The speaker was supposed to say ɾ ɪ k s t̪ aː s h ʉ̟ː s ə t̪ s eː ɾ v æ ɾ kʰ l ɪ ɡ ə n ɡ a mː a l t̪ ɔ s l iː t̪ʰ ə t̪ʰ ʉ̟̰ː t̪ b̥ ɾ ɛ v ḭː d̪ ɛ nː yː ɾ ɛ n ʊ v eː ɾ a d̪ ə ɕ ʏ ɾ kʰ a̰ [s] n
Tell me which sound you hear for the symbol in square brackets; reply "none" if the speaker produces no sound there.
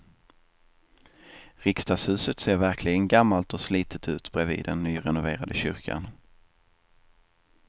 none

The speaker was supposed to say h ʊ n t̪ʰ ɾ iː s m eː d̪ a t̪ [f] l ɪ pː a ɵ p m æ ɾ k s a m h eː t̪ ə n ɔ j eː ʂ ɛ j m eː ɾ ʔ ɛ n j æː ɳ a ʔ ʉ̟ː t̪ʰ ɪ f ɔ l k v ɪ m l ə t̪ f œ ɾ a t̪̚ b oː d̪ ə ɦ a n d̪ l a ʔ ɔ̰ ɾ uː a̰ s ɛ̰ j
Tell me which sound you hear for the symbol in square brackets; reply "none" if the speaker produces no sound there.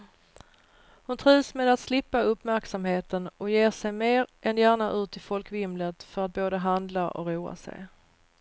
s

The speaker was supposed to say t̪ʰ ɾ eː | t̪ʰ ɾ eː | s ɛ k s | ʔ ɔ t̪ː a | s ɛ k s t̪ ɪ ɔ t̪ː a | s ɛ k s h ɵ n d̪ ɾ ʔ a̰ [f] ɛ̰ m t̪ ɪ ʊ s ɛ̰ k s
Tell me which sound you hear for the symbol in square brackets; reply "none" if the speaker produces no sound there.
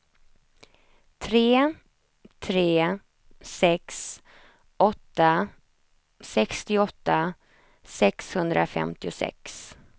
f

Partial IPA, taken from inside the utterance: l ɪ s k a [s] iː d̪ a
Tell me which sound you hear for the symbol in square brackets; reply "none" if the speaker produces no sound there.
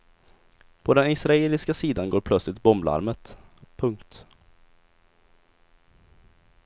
s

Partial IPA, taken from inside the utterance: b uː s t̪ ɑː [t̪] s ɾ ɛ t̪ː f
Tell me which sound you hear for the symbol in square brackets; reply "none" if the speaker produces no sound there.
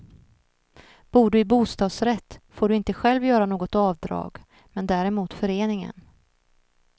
d̪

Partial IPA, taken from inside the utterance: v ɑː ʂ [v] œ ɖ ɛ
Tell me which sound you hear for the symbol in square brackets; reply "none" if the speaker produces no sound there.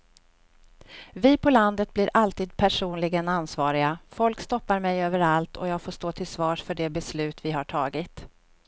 f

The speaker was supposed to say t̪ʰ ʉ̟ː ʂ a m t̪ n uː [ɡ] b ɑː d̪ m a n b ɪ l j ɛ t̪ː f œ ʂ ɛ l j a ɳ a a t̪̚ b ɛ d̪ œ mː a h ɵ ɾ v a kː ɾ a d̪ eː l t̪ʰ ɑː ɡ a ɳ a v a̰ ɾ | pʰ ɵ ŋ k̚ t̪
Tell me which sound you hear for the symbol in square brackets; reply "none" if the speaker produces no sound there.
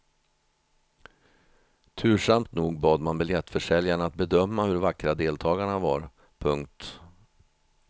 ɡ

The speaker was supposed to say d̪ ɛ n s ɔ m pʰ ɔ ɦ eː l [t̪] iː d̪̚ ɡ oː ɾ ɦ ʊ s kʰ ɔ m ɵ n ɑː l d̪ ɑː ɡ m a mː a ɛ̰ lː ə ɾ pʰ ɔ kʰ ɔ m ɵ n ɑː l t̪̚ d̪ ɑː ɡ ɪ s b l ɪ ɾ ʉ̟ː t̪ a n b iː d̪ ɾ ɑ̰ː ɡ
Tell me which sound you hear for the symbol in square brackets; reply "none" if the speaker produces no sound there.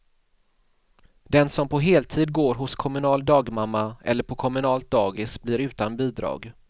t̪ʰ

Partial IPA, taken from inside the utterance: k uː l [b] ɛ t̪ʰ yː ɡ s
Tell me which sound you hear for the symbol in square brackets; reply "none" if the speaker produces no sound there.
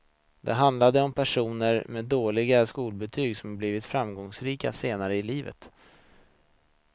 b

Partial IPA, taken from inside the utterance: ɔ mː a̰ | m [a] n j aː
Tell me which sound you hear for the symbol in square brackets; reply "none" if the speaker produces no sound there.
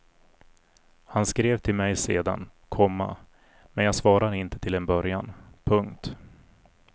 ɛ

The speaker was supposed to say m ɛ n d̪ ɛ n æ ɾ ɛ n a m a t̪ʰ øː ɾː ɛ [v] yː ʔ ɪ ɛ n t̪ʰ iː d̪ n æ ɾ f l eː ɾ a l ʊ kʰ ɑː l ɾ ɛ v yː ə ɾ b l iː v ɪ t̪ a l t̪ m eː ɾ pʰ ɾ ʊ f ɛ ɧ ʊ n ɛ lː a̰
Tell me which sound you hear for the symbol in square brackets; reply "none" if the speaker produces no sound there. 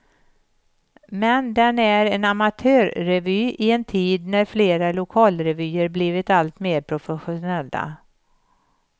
v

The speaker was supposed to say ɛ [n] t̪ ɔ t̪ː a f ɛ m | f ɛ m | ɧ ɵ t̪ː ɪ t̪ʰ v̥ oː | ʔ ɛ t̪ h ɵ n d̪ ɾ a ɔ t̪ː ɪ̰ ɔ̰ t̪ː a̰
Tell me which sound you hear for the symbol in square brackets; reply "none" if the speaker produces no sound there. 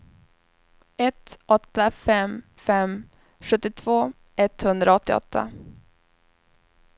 none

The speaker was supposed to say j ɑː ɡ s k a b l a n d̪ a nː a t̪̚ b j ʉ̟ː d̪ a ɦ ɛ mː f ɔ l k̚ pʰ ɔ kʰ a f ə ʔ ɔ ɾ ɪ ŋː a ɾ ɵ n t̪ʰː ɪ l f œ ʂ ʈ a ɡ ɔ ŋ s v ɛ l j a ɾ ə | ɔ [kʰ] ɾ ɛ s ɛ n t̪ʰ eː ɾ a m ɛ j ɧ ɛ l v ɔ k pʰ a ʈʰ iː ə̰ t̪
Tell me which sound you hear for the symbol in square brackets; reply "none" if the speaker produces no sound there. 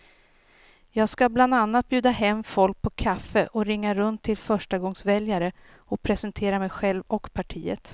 pʰ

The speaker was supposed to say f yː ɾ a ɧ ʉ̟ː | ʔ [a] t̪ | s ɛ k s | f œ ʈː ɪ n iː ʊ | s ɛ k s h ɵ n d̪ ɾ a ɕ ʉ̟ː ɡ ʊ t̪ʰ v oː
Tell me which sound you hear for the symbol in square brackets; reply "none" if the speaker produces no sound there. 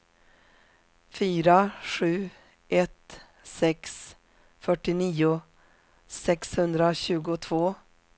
ɛ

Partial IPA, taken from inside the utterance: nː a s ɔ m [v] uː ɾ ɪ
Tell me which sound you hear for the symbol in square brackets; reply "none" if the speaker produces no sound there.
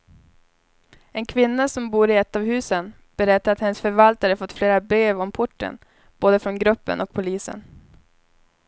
b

